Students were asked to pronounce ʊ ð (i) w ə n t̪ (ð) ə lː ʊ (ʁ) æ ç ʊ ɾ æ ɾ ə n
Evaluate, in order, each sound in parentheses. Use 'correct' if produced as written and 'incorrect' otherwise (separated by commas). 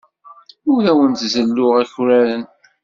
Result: incorrect, incorrect, correct